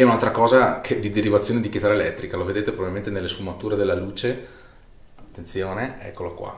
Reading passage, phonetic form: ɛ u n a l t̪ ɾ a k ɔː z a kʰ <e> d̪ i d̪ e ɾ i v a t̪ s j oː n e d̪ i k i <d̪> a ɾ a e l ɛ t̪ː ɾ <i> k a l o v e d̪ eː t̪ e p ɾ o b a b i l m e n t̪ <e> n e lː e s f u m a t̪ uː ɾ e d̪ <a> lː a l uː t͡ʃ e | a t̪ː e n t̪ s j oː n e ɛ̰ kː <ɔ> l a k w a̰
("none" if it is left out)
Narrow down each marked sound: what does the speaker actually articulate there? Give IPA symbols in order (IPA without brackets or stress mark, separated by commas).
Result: e, t̪, i, e, e, o